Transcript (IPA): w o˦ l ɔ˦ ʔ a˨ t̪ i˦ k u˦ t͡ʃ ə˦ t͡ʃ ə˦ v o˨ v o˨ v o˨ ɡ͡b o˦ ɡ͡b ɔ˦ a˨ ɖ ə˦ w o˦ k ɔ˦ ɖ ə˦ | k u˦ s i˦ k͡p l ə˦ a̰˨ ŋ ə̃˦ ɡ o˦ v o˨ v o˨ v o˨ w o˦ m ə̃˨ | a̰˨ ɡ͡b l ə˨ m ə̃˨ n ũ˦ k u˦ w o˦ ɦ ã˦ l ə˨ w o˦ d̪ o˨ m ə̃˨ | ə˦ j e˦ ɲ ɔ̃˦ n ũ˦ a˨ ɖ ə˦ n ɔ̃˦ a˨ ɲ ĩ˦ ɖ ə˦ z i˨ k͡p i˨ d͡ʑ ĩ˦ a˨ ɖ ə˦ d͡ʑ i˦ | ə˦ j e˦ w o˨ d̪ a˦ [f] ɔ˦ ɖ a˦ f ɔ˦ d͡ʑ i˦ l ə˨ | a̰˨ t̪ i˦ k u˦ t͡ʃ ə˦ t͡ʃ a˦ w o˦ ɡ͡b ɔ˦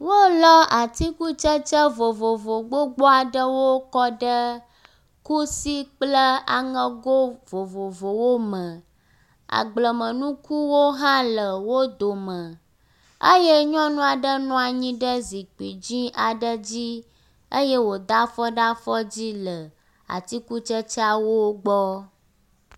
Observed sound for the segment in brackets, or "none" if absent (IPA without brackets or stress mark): f